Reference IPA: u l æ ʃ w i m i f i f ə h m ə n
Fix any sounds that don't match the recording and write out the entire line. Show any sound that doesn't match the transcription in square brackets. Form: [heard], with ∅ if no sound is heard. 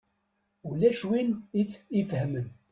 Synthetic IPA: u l æ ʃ w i [n] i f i f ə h m ə n